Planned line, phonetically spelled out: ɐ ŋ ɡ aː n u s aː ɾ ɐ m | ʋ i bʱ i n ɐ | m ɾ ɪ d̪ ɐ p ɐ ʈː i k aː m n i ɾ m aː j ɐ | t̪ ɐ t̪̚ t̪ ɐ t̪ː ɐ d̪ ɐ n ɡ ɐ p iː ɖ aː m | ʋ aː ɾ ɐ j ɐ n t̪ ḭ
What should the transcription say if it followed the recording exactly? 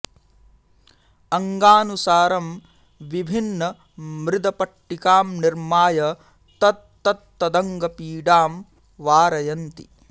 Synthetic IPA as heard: ɐ ŋ ɡ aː n u s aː ɾ ɐ m | ʋ i bʱ i nː ɐ | m ɾ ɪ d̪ ɐ p ɐ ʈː i k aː m n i ɾ m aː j ɐ | t̪ ɐ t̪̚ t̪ ɐ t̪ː ɐ d̪ ɐ ŋ ɡ ɐ p iː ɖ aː m | ʋ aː ɾ ɐ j ɐ n t̪ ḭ